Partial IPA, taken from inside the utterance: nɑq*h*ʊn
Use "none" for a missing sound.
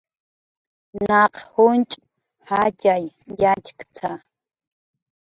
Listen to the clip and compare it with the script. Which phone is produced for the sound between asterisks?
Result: h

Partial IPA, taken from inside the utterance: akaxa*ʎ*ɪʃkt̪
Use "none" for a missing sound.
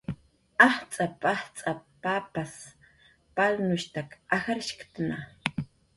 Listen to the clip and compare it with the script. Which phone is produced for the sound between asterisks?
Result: ɾ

